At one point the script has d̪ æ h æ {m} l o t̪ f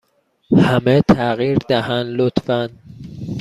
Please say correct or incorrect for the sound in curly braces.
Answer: incorrect